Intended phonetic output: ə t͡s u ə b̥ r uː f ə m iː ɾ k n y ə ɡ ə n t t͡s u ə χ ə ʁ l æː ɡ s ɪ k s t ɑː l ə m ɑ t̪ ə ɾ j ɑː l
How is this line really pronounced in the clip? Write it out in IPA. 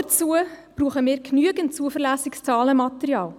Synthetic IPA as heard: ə t͡s u ə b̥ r uː χ ə m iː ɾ k n y ə ɡ ə n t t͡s u ə f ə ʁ l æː s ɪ k s t͡s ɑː l ə m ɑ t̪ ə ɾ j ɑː l